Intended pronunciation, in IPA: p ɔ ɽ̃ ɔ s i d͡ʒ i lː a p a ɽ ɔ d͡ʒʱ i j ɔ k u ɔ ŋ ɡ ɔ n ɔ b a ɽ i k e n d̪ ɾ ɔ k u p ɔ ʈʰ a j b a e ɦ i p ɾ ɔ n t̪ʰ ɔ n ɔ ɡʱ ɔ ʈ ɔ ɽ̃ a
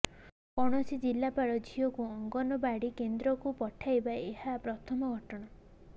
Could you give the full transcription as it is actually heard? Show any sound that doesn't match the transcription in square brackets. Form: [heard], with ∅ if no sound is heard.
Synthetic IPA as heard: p ɔ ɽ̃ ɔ s i d͡ʒ i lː a p a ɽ ɔ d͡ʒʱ i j ɔ k u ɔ ŋ ɡ ɔ n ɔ b a ɽ i k e n d̪ ɾ ɔ k u p ɔ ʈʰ a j b a e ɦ [a] p ɾ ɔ [∅] t̪ʰ ɔ [m] ɔ ɡʱ ɔ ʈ ɔ ɽ̃ a